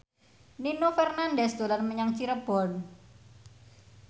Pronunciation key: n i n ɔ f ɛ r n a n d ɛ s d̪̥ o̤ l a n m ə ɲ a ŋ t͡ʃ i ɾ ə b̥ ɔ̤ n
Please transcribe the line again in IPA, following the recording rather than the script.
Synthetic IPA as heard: n i n o f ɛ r n a n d ɛ s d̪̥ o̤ l a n m ə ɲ a ŋ t͡ʃ i ɾ ə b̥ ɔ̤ n